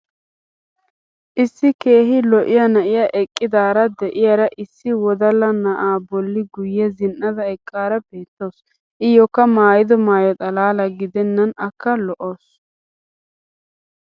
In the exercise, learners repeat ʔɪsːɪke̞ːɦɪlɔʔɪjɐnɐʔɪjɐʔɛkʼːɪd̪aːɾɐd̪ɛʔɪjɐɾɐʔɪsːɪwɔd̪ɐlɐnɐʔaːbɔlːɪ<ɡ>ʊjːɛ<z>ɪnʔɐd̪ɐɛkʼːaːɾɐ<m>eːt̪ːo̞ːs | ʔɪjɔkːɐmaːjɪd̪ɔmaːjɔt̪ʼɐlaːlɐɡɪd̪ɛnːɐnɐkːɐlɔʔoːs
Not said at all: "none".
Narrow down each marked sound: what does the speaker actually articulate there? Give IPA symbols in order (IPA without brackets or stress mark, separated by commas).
ɡ, z, b